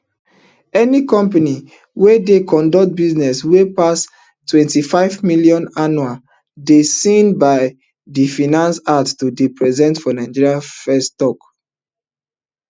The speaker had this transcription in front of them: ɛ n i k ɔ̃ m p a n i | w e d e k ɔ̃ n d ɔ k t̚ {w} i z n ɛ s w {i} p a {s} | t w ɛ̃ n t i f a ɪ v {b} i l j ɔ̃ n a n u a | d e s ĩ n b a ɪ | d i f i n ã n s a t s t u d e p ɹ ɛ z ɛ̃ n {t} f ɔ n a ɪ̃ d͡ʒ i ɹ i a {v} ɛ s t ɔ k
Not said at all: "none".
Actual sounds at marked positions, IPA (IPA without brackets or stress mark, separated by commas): b, e, s, m, t, f